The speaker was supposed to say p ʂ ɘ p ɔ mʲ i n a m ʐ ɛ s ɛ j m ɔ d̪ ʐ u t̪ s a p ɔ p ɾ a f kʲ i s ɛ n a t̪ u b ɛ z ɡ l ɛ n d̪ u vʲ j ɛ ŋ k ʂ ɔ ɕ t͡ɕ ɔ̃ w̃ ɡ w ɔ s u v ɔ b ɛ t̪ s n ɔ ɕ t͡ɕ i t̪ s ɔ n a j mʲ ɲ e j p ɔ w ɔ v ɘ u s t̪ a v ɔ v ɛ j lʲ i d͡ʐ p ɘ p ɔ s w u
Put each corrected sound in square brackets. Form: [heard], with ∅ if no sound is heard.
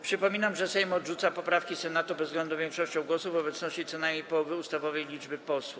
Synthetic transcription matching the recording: p ʂ ɘ p ɔ mʲ i n a m ʐ ɛ s ɛ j m ɔ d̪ ʐ u t̪ s a p ɔ p ɾ a f kʲ i s ɛ n a t̪ u b ɛ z ɡ l ɛ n d̪ u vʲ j ɛ ŋ k ʂ ɔ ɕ t͡ɕ ɔ̃ w̃ ɡ w ɔ s u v ɔ b ɛ t̪ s n ɔ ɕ t͡ɕ i t̪ s ɔ n a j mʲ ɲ e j p ɔ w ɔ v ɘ u s t̪ a v ɔ v ɛ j lʲ i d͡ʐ [b] ɘ p ɔ s w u